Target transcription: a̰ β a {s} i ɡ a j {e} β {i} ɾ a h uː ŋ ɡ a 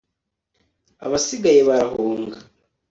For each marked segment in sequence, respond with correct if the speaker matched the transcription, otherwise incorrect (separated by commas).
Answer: correct, correct, incorrect